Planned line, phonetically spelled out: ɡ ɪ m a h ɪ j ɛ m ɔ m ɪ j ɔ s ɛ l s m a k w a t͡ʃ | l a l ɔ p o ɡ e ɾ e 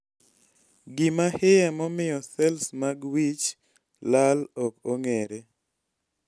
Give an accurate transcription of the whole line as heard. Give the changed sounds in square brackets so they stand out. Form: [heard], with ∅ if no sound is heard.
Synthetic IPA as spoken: ɡ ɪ m a h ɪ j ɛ m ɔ m ɪ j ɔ s ɛ l s m a [ɡ] w [i] t͡ʃ | l a l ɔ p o [ŋ] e ɾ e

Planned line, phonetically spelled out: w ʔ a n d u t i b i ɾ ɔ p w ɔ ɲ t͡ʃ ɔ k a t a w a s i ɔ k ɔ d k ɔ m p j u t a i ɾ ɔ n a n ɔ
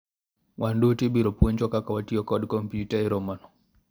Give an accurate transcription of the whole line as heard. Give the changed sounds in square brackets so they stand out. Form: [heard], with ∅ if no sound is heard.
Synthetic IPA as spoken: w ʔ a n d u t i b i ɾ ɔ p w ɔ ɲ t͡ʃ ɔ k a [k] a w a [t] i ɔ k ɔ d k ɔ m p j u t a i ɾ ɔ [m] a n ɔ

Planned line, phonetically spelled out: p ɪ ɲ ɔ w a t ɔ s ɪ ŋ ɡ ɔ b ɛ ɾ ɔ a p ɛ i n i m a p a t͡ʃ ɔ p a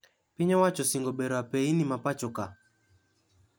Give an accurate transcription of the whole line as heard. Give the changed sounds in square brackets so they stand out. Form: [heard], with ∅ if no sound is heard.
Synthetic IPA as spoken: p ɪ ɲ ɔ w a [t͡ʃ] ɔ s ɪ ŋ ɡ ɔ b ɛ ɾ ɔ a p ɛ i n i m a p a t͡ʃ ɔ [k] a

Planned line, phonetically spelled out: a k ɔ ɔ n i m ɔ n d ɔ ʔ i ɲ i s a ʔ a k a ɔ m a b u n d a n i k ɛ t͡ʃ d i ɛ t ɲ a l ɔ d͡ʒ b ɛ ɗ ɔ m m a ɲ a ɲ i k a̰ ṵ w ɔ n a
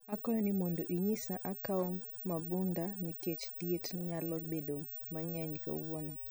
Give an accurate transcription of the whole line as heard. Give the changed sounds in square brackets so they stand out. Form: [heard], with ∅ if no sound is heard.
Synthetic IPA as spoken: a k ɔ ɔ n i m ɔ n d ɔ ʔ i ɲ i s a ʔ a k a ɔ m a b u n d a n i k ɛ t͡ʃ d i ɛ t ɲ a l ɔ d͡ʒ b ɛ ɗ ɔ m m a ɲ a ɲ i k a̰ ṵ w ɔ n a

